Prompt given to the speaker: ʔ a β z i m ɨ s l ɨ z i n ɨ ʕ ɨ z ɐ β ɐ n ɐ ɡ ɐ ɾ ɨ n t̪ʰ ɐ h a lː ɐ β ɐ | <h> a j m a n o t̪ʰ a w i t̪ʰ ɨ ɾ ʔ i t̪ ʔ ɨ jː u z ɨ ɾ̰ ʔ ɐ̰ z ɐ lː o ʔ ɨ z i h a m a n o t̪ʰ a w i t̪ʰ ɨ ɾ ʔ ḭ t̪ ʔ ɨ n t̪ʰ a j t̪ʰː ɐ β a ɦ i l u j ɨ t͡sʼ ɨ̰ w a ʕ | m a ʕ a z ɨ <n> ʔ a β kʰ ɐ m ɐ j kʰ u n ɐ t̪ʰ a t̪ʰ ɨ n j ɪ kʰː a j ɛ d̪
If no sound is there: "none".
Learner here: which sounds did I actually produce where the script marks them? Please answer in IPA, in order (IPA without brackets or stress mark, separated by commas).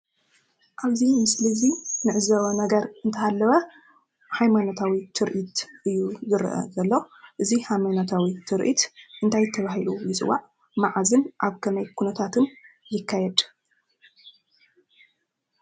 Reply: h, n